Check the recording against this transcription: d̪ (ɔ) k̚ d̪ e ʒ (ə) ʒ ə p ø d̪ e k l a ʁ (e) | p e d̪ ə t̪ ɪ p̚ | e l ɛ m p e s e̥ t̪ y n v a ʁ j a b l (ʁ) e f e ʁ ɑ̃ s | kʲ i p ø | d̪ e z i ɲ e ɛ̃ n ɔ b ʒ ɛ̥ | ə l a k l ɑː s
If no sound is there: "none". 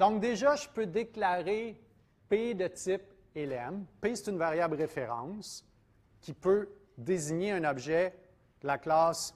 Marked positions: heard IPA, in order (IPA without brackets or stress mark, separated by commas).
ɔ̃, a, e, ʁ